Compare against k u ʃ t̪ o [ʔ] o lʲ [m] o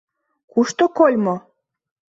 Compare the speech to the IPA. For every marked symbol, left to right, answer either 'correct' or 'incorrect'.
incorrect, correct

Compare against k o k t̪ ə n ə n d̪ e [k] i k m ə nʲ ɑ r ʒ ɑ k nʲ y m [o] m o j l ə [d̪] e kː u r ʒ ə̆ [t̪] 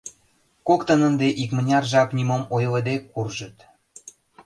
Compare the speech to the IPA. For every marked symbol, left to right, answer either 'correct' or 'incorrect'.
incorrect, correct, correct, correct

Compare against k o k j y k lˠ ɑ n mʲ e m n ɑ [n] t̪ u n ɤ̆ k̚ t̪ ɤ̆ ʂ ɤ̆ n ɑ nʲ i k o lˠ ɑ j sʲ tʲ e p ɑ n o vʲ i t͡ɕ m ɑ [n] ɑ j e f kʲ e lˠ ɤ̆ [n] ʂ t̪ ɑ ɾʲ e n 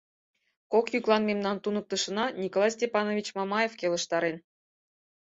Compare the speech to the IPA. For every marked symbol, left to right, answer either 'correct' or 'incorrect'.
correct, incorrect, incorrect

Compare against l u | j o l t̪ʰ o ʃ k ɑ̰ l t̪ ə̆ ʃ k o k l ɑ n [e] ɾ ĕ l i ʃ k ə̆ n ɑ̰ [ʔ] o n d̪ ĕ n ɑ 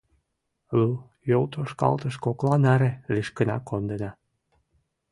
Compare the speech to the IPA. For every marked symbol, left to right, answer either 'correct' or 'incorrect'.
incorrect, incorrect

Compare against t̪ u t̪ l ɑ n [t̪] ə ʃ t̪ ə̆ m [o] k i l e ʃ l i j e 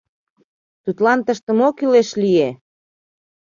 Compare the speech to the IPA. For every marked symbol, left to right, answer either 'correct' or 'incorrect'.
correct, correct

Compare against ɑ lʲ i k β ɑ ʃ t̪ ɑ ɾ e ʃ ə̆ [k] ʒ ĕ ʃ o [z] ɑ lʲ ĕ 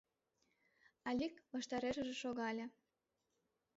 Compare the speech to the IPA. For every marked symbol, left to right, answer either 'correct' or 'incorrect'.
incorrect, incorrect

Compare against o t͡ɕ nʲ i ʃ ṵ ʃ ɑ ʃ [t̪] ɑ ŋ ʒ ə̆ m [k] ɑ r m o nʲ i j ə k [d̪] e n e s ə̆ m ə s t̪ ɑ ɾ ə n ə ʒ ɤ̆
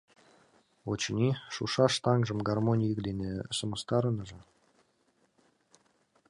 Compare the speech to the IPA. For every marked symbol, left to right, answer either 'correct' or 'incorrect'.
correct, incorrect, correct

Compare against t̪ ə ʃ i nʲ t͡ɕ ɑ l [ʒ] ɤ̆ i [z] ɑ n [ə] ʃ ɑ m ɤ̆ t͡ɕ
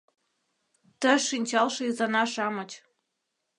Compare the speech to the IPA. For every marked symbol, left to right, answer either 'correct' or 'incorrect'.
incorrect, correct, incorrect

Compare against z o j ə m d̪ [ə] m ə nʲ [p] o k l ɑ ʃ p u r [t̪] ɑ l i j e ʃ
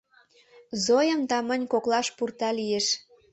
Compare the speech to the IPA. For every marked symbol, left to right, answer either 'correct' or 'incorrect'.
incorrect, incorrect, correct

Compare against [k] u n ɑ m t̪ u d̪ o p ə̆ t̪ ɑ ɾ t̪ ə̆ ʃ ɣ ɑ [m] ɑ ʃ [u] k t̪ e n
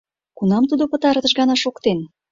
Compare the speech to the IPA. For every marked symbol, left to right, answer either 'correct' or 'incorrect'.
correct, incorrect, incorrect

